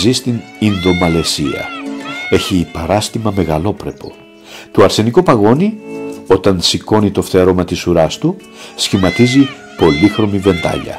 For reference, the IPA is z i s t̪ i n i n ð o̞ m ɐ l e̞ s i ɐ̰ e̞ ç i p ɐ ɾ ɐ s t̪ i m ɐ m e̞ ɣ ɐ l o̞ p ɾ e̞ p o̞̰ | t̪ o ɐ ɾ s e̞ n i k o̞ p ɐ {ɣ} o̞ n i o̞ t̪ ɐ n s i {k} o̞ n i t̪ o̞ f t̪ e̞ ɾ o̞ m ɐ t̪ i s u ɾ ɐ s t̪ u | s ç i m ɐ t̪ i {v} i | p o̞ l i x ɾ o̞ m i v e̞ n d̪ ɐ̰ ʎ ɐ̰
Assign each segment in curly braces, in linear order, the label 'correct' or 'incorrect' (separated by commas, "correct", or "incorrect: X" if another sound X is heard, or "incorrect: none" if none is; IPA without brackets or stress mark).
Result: correct, correct, incorrect: z